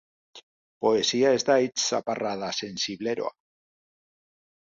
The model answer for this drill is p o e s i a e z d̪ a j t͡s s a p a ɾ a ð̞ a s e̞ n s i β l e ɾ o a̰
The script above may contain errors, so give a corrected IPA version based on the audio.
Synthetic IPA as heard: p o e s i a e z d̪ a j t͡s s a p a r a ð̞ a s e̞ n s i β l e ɾ o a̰